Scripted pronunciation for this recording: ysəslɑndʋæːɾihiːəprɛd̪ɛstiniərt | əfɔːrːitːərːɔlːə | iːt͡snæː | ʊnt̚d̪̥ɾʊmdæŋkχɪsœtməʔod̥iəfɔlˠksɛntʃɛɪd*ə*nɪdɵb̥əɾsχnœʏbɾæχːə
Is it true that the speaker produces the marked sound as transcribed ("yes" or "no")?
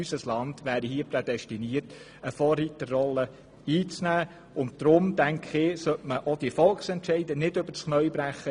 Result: yes